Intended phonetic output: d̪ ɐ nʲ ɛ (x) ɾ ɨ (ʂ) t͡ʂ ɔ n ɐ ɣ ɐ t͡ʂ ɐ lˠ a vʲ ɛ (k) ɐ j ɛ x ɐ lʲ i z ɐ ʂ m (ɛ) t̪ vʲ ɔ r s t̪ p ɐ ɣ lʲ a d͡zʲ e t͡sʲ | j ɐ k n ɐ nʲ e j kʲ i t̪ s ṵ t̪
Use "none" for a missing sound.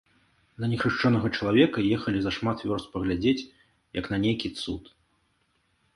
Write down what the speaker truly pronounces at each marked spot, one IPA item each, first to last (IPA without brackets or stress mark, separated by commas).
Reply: x, ʂ, k, a